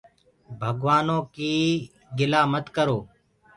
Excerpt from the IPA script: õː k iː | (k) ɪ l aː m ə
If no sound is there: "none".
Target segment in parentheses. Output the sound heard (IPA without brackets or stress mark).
ɡ